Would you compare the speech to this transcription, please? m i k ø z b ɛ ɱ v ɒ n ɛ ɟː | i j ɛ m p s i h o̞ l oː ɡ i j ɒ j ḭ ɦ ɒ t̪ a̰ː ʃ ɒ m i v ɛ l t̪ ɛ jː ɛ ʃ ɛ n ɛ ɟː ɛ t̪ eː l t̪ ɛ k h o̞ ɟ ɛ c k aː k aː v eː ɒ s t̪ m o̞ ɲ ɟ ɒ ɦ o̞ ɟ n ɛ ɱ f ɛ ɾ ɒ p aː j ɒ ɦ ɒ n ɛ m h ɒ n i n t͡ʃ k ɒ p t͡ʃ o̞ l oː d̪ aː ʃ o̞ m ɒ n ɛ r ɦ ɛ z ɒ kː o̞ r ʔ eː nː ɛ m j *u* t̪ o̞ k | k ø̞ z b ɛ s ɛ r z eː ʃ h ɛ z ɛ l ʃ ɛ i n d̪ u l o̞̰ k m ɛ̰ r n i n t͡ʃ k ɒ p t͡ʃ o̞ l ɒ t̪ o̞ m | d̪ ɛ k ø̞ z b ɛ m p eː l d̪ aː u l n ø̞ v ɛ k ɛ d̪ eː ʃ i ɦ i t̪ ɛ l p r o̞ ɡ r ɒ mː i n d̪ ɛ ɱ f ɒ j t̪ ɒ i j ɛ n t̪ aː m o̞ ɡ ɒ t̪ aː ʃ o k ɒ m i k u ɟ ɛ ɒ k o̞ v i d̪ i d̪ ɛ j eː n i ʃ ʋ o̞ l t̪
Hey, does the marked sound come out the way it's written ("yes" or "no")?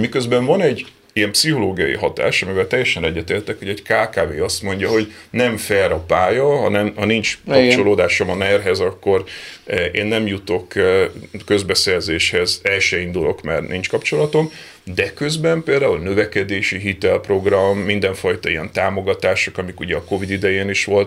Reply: yes